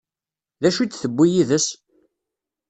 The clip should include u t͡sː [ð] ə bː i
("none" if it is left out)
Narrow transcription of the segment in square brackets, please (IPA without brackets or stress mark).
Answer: θ